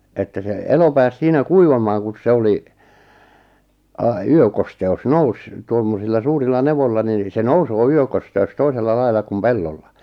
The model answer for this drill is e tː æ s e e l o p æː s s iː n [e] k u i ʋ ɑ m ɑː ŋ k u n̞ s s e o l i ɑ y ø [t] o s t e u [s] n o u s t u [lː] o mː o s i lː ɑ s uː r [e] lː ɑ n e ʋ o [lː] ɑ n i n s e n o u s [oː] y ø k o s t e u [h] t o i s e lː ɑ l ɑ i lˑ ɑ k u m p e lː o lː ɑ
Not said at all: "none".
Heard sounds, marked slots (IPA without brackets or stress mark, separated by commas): æ, k, s, none, i, lː, oː, s